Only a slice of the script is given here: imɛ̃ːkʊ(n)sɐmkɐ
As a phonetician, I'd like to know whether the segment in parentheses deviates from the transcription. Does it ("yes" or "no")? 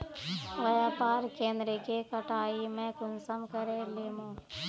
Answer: no